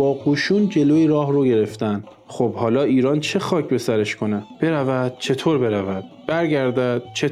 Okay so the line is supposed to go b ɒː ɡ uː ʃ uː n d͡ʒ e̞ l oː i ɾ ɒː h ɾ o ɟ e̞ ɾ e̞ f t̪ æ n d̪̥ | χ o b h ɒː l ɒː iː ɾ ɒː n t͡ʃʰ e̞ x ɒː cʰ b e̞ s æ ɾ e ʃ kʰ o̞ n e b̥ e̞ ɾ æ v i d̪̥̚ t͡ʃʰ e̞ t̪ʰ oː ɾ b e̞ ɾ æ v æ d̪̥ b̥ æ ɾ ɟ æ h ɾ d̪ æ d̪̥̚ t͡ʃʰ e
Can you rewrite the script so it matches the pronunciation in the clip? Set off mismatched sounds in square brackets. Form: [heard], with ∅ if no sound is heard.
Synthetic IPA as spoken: b ɒː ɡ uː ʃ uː n d͡ʒ e̞ l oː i ɾ ɒː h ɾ o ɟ e̞ ɾ e̞ f t̪ æ n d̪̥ | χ o b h ɒː l ɒː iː ɾ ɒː n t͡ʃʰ e̞ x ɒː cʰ b e̞ s æ ɾ e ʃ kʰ o̞ n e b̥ e̞ ɾ æ v [æ] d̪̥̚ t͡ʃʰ e̞ t̪ʰ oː ɾ b e̞ ɾ æ v æ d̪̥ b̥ æ ɾ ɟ æ [∅] ɾ d̪ æ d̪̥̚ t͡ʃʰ e